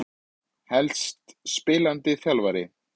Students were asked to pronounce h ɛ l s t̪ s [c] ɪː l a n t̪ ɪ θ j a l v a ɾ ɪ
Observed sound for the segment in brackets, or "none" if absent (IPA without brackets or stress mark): p